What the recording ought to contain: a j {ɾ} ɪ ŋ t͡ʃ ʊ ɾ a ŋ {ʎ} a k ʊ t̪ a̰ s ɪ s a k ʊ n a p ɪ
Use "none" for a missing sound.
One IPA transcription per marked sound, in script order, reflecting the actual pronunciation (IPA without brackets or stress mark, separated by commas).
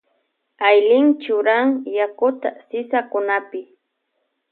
l, j